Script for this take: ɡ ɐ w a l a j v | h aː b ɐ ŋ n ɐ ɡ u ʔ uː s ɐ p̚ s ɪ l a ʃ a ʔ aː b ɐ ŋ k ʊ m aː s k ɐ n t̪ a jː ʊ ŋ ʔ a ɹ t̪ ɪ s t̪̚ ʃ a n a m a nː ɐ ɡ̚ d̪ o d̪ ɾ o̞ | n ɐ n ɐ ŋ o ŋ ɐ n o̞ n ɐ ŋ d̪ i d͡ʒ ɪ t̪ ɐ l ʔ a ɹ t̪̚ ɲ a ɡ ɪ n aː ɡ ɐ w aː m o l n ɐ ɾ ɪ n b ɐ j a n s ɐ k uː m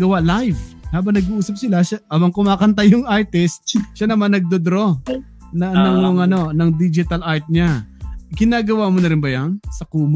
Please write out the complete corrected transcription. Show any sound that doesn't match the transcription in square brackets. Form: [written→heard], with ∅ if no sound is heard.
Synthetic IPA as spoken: ɡ ɐ w a l a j v | h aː b ɐ ŋ n ɐ ɡ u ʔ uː s ɐ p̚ s ɪ l a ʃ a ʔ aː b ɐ ŋ k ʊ m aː [s→∅] k ɐ n t̪ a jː ʊ ŋ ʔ a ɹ t̪ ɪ s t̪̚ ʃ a n [a→ɐ] m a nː ɐ ɡ̚ d̪ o d̪ ɾ o̞ | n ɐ n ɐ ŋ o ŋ ɐ n o̞ n ɐ ŋ d̪ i d͡ʒ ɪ t̪ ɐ l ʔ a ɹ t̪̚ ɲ a ɡ ɪ n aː ɡ ɐ w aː m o [l→∅] n ɐ ɾ ɪ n b ɐ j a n s ɐ k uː m